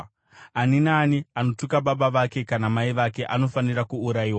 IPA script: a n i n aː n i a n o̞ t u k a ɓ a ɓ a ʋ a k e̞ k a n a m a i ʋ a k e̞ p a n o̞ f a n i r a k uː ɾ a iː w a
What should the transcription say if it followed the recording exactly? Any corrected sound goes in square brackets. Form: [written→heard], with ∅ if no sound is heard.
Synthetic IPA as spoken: a n i n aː n i a n o̞ t u k a ɓ a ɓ a ʋ a k e̞ k a n a m a i ʋ a k e̞ [p→ʔ] a n o̞ f a n i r a k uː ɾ a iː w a